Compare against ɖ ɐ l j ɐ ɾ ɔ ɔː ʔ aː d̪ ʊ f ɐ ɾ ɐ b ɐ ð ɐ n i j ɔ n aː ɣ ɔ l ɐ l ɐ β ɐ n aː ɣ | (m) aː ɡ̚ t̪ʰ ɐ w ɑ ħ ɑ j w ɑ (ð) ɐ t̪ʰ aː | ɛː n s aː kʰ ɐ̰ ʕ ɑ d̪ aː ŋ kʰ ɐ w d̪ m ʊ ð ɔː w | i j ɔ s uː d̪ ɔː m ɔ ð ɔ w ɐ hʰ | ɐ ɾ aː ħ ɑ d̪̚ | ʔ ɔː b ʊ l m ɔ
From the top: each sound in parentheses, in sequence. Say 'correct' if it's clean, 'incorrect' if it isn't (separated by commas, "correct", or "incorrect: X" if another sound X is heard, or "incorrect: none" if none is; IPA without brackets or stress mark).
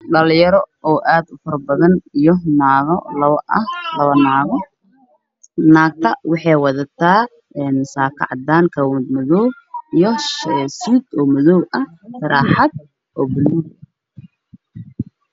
incorrect: n, correct